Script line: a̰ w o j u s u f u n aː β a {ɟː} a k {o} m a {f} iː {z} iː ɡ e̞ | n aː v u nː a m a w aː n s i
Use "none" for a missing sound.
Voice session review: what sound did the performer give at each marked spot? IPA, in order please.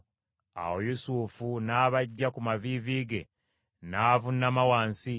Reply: ɟː, u, v, v

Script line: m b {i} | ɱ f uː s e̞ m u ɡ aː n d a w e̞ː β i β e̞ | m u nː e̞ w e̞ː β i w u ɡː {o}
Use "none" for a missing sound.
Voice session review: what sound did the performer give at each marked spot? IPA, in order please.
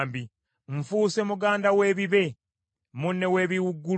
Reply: i, u

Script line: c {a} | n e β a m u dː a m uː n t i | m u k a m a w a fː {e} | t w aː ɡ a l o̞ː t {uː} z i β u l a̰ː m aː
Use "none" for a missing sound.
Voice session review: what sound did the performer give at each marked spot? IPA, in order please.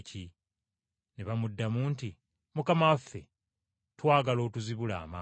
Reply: i, e, u

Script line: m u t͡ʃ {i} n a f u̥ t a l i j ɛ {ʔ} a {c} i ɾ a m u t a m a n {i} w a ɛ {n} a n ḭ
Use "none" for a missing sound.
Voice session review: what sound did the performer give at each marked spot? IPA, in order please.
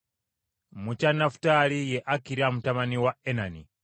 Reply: a, ʔ, k, i, n

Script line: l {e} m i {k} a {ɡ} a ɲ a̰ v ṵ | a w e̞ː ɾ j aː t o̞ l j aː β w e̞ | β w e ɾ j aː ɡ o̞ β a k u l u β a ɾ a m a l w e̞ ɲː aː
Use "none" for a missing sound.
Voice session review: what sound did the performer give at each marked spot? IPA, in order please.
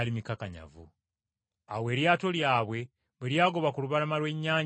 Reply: i, k, k

